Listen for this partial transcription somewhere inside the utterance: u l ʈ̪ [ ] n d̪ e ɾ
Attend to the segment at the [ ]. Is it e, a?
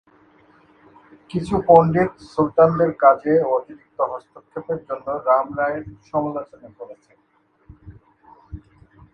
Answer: a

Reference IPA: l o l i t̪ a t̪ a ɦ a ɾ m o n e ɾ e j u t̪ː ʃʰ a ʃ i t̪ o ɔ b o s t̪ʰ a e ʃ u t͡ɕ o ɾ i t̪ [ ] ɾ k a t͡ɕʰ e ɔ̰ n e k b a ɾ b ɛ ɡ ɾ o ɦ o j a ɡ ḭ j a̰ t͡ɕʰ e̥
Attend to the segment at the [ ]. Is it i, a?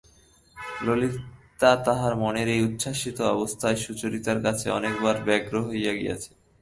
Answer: a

